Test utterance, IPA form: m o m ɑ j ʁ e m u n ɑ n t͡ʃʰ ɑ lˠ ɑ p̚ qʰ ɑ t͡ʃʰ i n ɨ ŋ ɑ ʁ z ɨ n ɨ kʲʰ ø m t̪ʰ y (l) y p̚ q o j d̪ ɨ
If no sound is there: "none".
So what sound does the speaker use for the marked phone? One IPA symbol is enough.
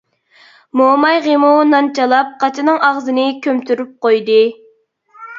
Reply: ɾ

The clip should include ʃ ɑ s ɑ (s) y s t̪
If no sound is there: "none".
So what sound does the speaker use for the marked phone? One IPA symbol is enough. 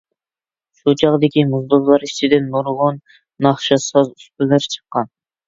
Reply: z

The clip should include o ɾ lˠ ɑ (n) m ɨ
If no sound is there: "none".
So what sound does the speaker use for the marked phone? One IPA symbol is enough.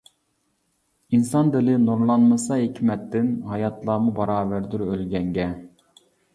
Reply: n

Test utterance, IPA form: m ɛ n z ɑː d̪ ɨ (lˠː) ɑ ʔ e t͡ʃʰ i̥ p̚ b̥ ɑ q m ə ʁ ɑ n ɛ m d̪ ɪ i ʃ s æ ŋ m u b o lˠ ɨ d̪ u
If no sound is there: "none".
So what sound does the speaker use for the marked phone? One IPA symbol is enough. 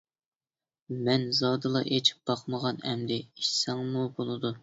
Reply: lˠ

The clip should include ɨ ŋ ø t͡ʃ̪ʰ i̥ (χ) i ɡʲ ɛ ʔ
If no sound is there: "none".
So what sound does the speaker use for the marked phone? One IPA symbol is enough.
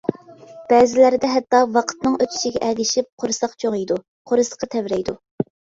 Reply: ʃ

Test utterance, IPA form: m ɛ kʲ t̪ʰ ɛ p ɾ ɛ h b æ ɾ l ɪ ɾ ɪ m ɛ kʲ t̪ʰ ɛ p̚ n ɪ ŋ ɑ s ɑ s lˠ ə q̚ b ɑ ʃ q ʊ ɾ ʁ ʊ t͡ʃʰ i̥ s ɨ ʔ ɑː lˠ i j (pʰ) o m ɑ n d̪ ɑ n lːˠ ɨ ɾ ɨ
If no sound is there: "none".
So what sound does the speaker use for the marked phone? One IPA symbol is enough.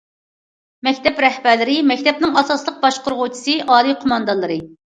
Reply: qʰ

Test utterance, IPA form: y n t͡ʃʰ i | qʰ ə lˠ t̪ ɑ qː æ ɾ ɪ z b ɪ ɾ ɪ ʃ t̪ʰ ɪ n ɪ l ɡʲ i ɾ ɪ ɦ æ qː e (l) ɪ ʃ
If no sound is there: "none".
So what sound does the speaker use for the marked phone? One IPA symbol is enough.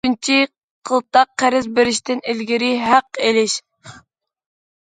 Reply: l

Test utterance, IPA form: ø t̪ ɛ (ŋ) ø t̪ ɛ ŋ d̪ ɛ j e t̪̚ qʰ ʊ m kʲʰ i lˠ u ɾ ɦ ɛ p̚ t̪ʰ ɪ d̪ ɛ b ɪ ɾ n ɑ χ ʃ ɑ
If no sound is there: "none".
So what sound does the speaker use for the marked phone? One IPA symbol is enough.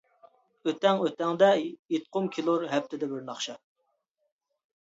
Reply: ŋ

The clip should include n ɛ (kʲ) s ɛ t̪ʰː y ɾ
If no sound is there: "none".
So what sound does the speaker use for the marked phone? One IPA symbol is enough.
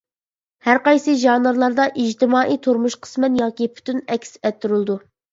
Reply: kʲ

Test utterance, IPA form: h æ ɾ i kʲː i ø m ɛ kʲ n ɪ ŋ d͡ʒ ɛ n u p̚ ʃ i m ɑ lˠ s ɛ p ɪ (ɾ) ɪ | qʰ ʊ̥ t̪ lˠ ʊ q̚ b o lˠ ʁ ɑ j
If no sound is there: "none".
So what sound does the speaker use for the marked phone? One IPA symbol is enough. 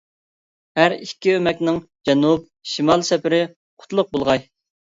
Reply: ɾ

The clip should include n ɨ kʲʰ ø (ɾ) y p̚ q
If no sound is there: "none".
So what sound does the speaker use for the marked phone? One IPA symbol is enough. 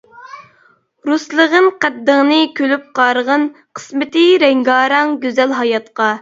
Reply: l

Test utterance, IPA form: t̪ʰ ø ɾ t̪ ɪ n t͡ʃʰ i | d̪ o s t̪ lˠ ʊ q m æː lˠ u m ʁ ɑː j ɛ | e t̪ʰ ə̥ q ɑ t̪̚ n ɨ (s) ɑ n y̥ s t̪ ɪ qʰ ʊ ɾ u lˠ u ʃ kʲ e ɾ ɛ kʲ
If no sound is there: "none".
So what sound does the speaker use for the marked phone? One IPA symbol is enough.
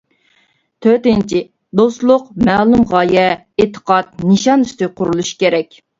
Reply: ʃ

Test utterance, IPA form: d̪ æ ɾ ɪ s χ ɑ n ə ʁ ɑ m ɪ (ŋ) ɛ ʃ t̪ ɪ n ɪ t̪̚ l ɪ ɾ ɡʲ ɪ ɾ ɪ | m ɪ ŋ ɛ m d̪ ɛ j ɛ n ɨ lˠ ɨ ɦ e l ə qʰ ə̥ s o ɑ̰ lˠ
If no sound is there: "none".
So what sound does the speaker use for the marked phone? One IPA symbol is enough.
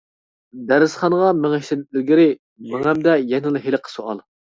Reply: ŋ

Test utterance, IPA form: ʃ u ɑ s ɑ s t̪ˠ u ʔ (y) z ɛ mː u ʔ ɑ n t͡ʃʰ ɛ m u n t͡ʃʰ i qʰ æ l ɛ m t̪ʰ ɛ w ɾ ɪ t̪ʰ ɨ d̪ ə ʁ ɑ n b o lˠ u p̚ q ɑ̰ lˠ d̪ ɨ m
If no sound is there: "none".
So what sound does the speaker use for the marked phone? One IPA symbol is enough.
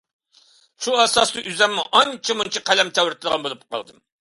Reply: y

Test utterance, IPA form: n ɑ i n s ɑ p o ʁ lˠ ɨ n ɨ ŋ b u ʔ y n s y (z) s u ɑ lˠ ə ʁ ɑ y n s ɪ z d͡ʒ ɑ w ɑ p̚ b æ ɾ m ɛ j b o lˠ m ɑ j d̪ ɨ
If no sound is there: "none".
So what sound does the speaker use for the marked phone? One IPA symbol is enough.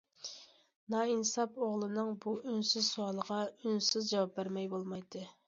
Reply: z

